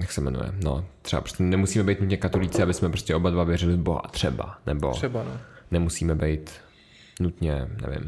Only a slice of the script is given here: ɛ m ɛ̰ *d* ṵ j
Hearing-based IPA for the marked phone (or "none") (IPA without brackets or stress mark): n